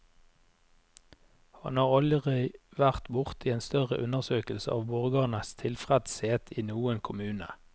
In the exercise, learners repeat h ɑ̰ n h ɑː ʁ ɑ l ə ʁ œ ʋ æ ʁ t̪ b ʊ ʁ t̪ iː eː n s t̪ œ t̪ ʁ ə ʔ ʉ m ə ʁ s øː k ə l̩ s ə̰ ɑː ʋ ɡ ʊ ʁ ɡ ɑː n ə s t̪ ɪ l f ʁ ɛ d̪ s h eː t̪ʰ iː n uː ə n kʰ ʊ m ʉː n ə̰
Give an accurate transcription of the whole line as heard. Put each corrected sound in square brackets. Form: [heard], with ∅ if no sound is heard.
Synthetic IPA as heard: h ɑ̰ n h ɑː ʁ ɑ l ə ʁ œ ʋ æ ʁ t̪ b ʊ ʁ t̪ iː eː n s t̪ œ [∅] ʁ ə ʔ ʉ [n] ə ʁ s øː k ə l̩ s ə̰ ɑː ʋ [b] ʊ ʁ ɡ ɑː n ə s [t̪ʰ] ɪ l f ʁ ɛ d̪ s h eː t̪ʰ iː n uː ə n kʰ ʊ m ʉː n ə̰